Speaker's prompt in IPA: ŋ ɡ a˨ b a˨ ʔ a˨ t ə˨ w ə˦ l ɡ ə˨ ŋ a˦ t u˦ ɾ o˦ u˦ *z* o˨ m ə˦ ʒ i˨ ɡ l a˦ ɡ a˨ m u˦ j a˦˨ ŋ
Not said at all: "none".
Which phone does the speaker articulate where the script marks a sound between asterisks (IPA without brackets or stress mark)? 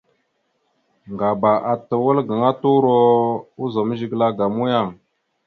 z